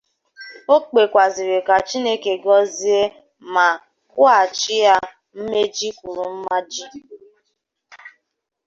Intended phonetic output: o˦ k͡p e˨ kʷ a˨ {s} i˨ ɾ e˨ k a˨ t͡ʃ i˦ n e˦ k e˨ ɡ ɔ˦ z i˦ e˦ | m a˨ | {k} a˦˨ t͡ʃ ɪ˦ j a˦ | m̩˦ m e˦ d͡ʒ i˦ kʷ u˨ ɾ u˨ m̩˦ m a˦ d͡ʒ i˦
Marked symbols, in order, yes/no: no, yes

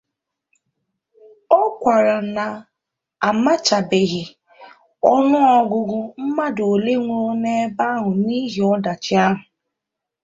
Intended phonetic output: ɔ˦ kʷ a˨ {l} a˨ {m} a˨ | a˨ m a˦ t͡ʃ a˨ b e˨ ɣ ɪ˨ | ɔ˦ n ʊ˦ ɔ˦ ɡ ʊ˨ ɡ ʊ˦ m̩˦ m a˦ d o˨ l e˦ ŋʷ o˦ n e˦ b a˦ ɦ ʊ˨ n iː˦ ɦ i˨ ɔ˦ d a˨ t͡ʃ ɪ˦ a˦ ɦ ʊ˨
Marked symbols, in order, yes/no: no, no

